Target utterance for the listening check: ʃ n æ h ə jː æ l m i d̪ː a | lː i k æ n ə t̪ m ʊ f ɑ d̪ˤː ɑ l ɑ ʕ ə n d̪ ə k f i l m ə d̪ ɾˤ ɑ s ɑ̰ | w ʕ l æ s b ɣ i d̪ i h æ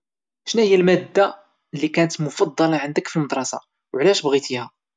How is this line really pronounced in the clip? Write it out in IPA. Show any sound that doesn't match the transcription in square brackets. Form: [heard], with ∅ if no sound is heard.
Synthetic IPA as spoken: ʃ n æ h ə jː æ l m [æ] d̪ː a | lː i k æ n ə t̪ m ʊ f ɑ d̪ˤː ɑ l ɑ ʕ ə n d̪ ə k f i l m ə d̪ ɾˤ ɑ s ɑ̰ | w ʕ l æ [ʃ] b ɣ i [t̪] i h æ